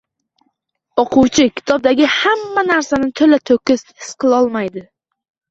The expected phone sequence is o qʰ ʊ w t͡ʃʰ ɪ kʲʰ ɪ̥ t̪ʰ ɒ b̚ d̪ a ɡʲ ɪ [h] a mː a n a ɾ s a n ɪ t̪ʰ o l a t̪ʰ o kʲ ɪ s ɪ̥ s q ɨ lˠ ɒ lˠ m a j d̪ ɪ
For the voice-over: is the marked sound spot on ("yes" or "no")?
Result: yes